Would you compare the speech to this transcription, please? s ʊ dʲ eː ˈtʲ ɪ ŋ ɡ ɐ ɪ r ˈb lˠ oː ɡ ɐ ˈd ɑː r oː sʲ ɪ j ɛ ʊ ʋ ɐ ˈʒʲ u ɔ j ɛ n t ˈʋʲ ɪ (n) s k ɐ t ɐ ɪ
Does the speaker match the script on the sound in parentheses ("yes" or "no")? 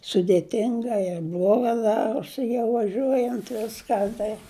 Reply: no